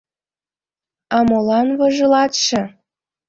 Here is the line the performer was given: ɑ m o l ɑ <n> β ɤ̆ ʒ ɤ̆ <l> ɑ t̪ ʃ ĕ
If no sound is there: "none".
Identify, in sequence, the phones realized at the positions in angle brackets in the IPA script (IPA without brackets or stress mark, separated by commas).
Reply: n, l